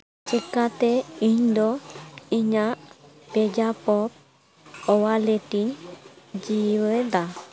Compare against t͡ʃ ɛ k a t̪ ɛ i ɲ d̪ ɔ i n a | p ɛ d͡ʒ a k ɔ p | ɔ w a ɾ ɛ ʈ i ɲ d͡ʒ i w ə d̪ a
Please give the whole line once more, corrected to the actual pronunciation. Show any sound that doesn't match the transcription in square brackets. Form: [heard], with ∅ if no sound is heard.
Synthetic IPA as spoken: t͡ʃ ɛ k a t̪ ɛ i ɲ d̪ ɔ i [ɲ] a | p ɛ d͡ʒ a [p] ɔ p | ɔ w a [l] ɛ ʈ i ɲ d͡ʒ i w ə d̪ a